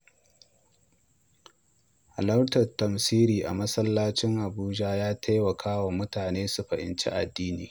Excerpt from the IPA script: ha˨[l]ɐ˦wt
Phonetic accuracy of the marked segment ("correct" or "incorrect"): correct